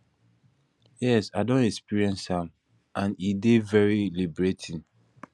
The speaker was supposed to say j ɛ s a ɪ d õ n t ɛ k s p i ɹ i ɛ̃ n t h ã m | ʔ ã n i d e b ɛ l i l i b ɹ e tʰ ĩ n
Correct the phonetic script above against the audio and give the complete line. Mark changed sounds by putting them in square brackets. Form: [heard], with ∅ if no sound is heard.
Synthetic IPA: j ɛ s a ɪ d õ n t ɛ k s p i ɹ i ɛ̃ n [s] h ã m | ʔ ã n i d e [v] ɛ [ɹ] i l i b ɹ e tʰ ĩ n